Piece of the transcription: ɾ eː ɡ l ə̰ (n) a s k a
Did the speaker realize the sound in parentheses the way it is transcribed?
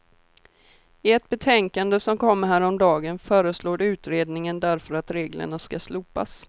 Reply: no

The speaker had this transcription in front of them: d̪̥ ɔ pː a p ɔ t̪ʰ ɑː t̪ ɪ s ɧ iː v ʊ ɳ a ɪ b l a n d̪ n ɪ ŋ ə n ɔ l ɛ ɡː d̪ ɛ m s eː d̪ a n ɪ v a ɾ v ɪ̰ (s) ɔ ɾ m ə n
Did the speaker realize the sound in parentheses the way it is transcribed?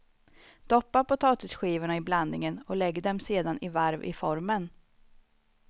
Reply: no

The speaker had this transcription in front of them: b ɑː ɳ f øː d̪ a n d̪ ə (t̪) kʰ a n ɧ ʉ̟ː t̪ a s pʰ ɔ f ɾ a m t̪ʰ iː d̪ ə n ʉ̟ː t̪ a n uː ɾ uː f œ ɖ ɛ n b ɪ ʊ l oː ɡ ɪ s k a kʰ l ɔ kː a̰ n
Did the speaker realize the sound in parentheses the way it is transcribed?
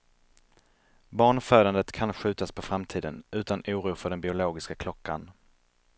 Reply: yes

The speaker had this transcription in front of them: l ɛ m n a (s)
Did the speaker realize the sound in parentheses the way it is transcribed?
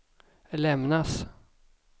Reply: yes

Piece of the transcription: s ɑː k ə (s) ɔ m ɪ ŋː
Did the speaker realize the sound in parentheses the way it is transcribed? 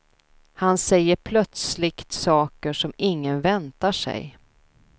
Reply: no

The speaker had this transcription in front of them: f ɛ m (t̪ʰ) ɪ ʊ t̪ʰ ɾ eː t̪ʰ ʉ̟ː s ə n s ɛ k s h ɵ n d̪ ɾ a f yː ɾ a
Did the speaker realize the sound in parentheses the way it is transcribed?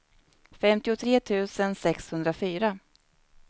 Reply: no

